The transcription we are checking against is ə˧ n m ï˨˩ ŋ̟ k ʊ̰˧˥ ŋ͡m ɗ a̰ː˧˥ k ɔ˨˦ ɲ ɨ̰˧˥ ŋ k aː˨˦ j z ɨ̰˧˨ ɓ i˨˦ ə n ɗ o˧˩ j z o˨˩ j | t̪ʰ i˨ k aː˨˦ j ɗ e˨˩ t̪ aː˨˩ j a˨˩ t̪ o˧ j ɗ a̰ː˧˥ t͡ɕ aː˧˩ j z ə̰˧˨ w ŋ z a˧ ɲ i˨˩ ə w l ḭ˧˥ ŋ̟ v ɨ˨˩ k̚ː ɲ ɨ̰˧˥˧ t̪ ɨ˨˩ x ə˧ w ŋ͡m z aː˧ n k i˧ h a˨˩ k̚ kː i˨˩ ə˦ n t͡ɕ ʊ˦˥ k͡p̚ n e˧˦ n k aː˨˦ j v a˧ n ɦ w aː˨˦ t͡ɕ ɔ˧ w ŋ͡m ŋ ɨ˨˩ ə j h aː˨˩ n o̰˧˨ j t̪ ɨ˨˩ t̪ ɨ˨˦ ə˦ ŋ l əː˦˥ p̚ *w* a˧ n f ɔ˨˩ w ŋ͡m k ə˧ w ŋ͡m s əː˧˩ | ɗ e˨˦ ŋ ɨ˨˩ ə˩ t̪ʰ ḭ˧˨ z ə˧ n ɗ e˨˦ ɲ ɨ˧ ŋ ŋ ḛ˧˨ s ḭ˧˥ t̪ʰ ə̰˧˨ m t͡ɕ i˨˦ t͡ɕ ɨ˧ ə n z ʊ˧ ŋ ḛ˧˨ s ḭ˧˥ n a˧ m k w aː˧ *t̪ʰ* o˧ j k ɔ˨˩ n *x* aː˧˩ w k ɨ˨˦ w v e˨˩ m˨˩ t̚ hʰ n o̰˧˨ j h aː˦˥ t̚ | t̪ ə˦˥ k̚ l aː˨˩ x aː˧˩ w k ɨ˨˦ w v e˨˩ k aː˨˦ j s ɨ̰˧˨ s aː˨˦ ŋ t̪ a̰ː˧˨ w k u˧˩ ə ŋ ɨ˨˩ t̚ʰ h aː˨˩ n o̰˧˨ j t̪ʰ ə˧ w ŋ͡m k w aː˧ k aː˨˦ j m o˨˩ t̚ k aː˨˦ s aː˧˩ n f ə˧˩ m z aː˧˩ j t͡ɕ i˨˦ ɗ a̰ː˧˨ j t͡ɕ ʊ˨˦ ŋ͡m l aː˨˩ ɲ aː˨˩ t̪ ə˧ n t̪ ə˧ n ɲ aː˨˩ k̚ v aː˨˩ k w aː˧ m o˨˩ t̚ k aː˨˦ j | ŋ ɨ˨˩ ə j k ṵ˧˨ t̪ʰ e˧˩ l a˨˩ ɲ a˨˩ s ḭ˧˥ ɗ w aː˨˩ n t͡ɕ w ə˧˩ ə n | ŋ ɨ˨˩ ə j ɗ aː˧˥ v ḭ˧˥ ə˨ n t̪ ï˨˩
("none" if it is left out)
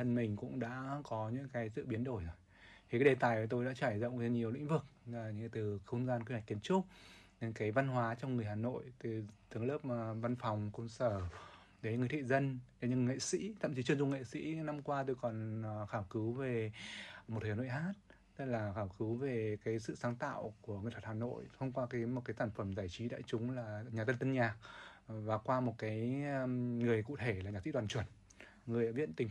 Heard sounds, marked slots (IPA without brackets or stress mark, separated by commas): v, t̪, x